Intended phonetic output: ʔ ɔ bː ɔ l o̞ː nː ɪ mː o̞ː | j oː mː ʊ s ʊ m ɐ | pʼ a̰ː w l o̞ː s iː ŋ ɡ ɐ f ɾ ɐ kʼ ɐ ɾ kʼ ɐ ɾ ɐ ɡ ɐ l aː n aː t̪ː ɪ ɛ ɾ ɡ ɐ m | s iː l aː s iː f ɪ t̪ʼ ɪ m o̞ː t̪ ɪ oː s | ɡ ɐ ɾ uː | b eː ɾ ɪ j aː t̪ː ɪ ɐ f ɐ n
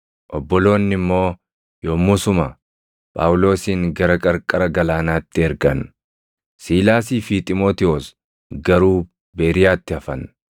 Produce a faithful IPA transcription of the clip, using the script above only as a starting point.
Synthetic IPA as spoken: ʔ ɔ bː ɔ l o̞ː nː ɪ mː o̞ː | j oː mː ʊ s ʊ m ɐ | pʼ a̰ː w l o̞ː s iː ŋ ɡ ɐ ɾ ɐ kʼ ɐ ɾ kʼ ɐ ɾ ɐ ɡ ɐ l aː n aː t̪ː ɪ ɛ ɾ ɡ ɐ n | s iː l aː s iː f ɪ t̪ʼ ɪ m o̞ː t̪ ɪ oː s | ɡ ɐ ɾ uː | b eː ɾ ɪ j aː t̪ː ɪ ɐ f ɐ n